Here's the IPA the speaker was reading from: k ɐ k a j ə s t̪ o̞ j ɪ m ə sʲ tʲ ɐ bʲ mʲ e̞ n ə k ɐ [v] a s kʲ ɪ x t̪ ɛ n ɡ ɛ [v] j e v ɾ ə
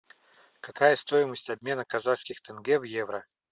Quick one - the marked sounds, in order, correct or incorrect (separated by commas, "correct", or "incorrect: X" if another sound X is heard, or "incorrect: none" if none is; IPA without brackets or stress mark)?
incorrect: z, correct